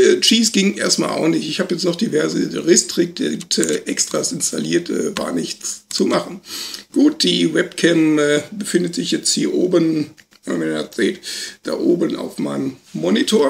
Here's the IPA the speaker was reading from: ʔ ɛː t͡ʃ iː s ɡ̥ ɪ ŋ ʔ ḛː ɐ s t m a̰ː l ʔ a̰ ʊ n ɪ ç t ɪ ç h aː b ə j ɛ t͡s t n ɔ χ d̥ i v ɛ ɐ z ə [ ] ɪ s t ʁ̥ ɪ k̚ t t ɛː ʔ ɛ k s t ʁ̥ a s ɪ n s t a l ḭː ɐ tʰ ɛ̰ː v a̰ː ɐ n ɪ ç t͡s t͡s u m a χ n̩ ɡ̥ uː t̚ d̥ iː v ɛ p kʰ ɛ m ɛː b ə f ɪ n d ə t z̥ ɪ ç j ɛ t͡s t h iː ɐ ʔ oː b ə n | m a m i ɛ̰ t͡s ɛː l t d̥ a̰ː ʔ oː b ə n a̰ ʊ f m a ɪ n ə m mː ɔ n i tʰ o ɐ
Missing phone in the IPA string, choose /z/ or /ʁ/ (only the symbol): ʁ